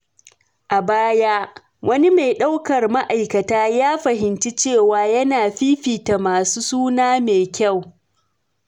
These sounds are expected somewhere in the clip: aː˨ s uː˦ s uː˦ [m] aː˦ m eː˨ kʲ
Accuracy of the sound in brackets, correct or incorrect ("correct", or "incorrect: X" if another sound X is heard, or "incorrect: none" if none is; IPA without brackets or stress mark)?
incorrect: n